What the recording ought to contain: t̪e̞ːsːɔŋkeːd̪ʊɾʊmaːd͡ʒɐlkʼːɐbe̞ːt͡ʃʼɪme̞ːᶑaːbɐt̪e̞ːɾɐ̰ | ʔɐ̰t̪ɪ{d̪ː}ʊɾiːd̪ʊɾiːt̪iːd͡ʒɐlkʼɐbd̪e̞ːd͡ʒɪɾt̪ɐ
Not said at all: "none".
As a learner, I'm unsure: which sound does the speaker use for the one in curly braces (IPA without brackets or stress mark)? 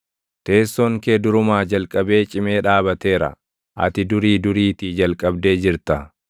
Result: d̪